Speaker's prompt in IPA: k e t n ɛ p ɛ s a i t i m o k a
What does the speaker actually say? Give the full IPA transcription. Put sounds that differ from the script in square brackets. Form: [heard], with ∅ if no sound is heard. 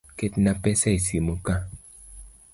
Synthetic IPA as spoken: k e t n [a] p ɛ s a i [s] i m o k a